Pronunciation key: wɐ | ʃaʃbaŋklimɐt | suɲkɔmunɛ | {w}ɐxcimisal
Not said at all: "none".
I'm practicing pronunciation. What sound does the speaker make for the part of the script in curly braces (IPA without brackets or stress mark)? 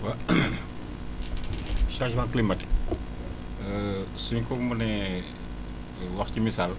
w